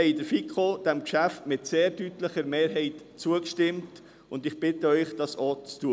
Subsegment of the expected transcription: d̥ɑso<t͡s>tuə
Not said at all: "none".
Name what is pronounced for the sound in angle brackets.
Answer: t͡s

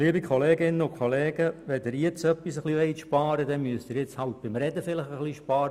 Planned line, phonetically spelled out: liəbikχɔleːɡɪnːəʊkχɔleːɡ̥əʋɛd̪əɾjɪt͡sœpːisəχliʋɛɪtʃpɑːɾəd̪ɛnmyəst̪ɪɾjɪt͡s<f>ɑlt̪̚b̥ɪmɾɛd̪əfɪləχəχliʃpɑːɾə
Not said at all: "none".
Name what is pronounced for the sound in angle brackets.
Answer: h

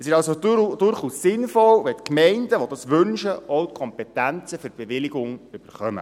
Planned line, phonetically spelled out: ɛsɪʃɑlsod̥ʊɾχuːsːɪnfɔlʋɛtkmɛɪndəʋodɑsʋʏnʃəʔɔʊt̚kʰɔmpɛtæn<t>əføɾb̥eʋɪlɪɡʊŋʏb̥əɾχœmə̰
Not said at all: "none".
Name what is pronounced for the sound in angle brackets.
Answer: t͡s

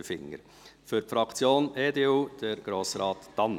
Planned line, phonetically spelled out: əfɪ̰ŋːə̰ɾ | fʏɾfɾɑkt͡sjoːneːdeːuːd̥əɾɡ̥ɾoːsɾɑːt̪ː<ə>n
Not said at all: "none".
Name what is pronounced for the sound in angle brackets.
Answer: ɑ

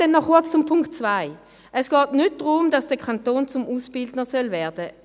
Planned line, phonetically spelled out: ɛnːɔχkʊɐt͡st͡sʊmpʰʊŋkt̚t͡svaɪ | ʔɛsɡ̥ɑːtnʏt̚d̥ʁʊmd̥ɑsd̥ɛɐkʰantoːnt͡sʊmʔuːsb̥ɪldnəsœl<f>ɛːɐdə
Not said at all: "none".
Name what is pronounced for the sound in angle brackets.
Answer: v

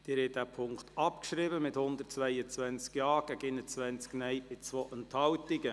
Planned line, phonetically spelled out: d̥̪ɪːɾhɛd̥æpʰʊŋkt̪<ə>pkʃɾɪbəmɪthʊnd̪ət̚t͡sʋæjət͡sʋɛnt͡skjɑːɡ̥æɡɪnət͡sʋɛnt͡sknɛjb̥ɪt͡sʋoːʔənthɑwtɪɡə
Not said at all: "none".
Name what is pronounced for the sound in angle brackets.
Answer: ɑ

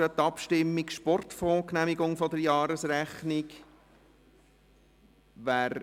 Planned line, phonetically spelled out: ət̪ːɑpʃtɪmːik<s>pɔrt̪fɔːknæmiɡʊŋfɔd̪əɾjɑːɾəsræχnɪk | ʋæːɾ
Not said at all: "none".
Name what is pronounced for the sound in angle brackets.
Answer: ʃ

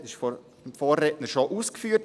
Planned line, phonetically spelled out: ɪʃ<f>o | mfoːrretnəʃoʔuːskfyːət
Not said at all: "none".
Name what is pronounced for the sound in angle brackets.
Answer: f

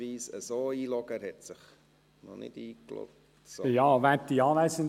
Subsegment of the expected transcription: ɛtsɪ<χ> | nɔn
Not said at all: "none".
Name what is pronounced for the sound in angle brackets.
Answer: χ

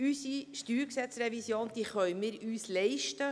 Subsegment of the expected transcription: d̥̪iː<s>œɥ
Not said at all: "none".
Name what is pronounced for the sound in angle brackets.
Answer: χ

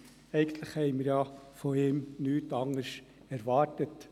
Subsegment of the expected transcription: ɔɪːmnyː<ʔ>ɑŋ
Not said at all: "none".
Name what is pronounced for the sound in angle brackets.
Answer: t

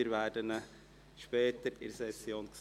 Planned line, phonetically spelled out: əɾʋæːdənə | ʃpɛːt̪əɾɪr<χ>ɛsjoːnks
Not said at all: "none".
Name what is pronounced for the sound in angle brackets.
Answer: s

